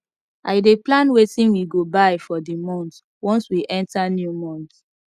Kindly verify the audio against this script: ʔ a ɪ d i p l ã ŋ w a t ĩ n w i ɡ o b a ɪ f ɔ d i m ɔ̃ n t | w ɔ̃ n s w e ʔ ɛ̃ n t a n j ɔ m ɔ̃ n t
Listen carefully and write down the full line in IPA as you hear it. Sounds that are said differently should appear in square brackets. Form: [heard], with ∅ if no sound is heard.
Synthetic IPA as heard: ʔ a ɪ d [e] p l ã [n] w [e] t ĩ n w i ɡ o b a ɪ f ɔ d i m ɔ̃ n t | w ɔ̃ n s w [i] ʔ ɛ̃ n t a n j [u] m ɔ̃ n t